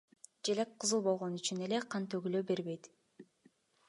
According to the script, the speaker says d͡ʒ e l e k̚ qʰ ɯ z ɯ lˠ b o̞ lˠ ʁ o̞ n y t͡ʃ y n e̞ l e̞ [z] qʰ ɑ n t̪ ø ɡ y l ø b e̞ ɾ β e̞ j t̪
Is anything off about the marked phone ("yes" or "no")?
yes